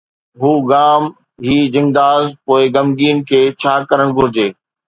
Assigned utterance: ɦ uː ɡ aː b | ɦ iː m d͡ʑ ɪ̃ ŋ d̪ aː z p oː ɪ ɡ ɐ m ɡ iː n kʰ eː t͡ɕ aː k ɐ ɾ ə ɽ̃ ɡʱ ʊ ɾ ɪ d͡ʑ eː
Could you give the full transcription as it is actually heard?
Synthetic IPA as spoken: ɦ uː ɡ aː m | ɦ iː d͡ʑ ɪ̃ ŋ d̪ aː z p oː ɪ ɡ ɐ m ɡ iː n kʰ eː t͡ɕʰ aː k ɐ ɾ ə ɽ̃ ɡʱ ʊ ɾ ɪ d͡ʑ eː